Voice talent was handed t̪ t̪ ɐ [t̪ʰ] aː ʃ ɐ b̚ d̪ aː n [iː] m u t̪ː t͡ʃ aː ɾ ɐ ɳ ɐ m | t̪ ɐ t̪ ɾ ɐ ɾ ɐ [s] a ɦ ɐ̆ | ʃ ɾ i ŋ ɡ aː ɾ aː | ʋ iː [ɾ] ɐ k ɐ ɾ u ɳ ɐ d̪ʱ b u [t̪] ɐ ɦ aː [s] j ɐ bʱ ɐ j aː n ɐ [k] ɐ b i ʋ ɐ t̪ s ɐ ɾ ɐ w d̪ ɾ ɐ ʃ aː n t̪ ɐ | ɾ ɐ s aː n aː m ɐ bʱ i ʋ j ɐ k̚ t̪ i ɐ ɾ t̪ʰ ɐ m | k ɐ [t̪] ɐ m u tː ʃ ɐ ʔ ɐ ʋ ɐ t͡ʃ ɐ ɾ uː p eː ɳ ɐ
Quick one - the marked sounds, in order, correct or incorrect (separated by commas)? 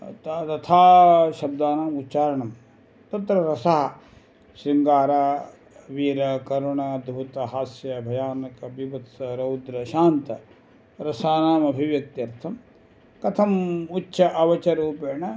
correct, incorrect, correct, correct, correct, correct, correct, incorrect